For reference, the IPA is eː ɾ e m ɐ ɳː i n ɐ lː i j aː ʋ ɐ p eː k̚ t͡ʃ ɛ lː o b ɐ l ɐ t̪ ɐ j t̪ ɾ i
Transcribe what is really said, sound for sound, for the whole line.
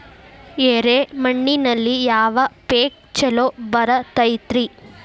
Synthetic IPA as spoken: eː ɾ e m ɐ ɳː i n ɐ lː i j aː ʋ ɐ p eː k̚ t͡ʃ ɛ l o b ɐ ɾ ɐ t̪ ɐ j t̪ ɾ i